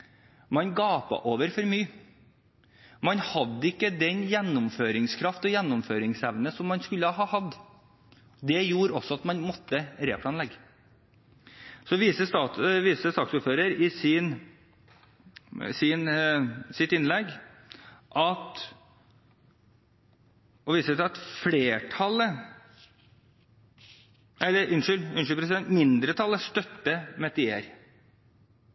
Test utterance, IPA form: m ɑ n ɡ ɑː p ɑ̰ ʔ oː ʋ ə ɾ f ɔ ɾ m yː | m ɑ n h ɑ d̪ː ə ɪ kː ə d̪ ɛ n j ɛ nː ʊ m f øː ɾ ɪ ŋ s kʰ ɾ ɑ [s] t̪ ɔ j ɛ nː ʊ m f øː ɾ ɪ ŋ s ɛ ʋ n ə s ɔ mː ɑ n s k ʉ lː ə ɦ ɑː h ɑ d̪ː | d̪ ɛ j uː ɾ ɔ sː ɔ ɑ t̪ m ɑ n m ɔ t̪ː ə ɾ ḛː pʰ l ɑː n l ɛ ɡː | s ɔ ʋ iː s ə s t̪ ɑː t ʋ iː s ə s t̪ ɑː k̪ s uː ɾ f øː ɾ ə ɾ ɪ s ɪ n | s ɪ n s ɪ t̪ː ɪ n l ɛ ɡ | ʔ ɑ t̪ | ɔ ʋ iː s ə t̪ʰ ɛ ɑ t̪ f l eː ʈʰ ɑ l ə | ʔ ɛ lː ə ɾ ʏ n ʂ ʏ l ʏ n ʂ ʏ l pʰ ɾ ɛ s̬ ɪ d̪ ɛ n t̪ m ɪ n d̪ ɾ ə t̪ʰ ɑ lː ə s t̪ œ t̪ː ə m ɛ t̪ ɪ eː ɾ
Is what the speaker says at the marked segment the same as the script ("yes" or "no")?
no